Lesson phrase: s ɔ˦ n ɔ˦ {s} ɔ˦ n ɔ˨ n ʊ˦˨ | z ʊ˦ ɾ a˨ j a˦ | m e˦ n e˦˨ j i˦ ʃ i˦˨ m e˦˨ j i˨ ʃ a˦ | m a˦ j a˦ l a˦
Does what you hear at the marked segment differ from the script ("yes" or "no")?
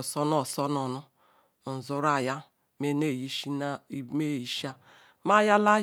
no